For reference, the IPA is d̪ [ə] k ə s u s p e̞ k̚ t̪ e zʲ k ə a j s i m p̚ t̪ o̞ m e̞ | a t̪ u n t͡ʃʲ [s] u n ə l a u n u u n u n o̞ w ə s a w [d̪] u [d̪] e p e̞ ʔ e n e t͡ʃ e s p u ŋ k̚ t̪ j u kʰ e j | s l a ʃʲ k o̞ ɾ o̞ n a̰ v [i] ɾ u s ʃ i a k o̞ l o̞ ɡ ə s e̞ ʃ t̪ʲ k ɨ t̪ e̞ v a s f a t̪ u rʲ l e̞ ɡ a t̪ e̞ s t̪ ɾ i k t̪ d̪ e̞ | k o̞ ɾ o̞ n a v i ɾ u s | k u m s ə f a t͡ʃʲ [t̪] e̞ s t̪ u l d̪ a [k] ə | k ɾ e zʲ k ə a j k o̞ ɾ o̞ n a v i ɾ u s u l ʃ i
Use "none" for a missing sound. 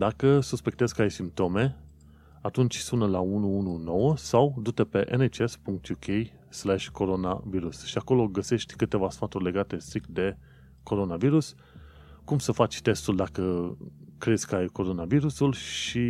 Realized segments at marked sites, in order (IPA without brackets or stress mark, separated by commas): a, s, d̪, t̪, i, t̪, k